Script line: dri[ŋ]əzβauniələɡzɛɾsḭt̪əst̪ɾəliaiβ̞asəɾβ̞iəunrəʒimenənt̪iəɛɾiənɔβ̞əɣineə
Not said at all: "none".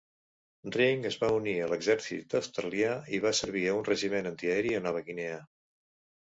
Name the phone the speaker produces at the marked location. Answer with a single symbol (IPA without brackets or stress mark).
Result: ŋ